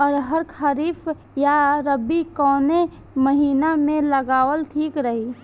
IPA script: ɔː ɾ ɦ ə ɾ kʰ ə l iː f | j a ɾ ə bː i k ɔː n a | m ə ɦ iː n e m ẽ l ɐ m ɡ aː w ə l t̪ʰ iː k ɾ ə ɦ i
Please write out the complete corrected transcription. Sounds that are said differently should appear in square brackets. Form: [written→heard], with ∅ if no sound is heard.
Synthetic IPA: ɔː ɾ ɦ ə ɾ kʰ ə [l→ɾ] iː f | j a ɾ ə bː i k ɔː n [a→e] | m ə ɦ iː n [e→a] m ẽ l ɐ [m→∅] ɡ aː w ə l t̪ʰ iː k ɾ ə ɦ i